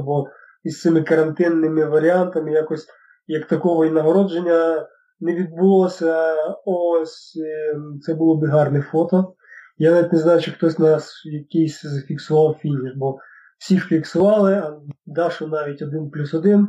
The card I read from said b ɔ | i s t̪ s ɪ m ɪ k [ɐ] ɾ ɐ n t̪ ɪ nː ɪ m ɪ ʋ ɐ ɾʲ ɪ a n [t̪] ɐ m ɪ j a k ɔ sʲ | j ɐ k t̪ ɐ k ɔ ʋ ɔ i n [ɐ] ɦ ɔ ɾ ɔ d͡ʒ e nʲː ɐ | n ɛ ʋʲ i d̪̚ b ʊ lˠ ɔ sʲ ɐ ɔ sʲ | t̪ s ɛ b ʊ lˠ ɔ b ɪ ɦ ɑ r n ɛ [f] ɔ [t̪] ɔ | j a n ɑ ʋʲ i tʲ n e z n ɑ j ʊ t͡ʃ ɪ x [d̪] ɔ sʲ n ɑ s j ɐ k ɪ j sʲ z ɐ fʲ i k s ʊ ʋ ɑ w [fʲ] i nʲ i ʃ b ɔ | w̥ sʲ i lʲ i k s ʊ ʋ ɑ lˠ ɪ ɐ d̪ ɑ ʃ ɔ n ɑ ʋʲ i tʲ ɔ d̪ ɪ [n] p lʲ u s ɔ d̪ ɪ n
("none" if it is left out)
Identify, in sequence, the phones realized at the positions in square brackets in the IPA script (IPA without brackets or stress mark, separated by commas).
ɐ, t̪, ɐ, f, t̪, t̪, fʲ, n